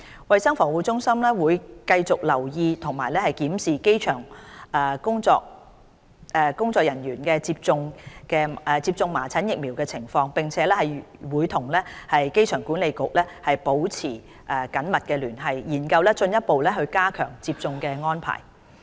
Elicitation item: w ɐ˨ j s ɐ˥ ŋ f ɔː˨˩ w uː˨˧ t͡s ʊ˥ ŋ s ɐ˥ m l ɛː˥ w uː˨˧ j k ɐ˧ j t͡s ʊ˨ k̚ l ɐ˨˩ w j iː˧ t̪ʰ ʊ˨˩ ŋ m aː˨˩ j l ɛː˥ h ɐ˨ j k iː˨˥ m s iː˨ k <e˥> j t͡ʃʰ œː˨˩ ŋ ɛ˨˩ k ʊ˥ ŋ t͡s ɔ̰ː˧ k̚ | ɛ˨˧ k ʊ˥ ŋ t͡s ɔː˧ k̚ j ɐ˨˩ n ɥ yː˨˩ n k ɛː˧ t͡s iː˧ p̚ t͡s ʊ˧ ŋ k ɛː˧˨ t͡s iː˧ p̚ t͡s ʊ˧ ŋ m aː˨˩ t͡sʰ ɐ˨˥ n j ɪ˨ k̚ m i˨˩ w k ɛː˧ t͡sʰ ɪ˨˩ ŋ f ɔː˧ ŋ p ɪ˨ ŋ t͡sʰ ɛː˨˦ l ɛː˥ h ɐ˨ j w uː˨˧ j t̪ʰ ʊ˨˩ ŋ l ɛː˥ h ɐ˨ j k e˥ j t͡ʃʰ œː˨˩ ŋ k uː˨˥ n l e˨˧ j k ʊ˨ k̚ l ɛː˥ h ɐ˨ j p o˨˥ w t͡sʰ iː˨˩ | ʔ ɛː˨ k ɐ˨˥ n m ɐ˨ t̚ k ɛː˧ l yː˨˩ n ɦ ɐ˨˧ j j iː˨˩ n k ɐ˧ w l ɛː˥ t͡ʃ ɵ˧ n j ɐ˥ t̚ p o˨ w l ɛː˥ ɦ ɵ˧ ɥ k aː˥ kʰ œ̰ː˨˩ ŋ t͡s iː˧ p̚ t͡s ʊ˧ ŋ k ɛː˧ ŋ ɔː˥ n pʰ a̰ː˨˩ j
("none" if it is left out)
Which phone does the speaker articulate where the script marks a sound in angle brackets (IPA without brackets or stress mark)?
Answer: e˥